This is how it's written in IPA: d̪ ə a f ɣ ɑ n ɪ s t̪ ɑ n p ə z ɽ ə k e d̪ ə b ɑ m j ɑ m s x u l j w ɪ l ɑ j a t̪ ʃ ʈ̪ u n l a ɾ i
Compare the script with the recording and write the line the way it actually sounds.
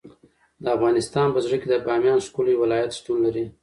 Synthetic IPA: d̪ ə a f ɣ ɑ n ɪ s t̪ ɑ n p ə z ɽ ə k e d̪ ə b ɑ m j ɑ n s k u l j w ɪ l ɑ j a t̪ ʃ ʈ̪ u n l a ɾ i